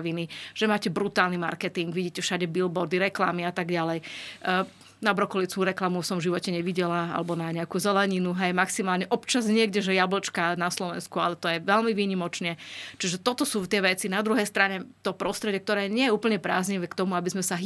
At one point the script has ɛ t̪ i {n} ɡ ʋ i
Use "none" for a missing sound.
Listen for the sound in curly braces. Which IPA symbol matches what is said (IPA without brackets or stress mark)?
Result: ŋ